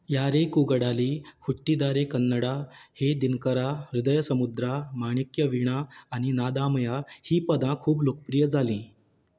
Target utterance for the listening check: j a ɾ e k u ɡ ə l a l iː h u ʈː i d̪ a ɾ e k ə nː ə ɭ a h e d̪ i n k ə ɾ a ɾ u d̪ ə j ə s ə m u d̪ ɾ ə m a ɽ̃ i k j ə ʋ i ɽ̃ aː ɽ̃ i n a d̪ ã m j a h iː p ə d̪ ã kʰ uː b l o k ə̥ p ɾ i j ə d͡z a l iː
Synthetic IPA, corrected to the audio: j a ɾ e k u ɡ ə ɽ a l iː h u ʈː i d̪ a ɾ e k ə nː ə ɽ a h e d̪ i n k ə ɾ a ɾ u d̪ ə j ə s ə m u d̪ ɾ a m a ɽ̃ i k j ə ʋ i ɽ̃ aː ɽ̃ i n a d̪ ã m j a h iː p ə d̪ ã kʰ uː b l o k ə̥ p ɾ i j ə d͡z a l iː